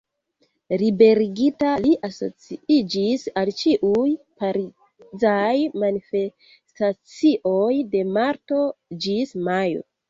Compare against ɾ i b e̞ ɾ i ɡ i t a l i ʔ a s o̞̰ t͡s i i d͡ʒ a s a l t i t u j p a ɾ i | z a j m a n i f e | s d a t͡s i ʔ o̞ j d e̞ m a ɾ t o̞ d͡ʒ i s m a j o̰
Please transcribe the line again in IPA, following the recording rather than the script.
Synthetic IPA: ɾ i b e̞ ɾ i ɡ i t a l i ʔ a s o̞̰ t͡s i i d͡ʒ i s a l t͡ʃ i ʔ u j p a ɾ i | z a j m a n i f e | s t a t͡s i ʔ o̞ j d e̞ m a ɾ t o̞ d͡ʒ i s m a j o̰